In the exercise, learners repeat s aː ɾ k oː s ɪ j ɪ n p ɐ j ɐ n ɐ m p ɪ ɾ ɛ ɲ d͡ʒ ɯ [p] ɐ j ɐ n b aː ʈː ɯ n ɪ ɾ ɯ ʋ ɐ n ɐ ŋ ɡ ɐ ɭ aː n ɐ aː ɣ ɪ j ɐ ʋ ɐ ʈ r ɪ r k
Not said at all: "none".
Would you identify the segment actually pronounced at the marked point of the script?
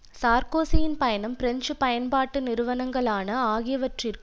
p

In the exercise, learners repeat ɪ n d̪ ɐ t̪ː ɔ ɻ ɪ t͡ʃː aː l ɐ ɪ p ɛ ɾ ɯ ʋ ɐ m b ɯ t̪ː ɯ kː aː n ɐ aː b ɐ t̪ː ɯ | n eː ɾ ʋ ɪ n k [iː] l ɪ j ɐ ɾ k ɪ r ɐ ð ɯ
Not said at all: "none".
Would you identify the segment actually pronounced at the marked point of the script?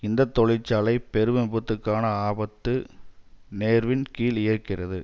iː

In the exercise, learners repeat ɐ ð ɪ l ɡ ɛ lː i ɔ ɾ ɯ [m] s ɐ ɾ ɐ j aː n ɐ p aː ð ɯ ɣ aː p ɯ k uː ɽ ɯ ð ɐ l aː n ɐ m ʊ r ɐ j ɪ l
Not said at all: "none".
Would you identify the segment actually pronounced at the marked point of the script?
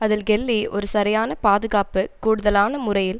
none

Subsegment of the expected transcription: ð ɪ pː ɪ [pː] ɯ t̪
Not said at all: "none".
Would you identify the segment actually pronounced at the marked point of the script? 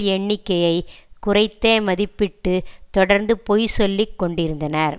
ʈː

